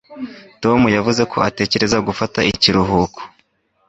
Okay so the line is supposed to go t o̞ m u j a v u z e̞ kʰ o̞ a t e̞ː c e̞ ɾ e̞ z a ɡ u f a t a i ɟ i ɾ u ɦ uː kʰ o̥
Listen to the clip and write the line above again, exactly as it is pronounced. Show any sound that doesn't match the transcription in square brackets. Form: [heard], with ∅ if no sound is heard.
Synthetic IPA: t o̞ m u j a v u z e̞ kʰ o̞ a t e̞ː c e̞ ɾ e̞ z a ɡ u f a t a i [c] i ɾ u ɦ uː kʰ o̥